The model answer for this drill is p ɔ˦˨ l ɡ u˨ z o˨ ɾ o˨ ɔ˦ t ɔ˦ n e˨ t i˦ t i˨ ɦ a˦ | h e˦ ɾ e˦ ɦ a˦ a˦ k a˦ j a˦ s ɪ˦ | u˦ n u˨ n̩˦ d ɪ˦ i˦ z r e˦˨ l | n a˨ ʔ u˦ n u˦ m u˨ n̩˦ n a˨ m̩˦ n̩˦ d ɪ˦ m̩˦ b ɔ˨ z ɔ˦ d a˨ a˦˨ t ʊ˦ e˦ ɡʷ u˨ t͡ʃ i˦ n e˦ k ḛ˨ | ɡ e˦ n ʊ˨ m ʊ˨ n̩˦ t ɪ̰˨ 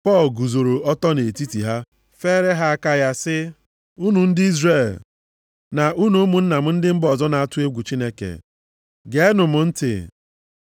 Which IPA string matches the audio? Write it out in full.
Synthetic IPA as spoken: p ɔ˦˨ l ɡ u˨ z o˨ ɾ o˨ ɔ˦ t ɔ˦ n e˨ t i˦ t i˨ ɦ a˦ | f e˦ ɾ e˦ ɦ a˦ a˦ k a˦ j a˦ s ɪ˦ | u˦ n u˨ n̩˦ d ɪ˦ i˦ z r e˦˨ l | n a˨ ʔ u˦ n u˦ m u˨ n̩˦ n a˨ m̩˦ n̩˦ d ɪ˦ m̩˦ b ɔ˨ z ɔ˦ n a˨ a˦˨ t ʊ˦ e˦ ɡʷ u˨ t͡ʃ i˦ n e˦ k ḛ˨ | ɡ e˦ n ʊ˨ m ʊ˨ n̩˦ t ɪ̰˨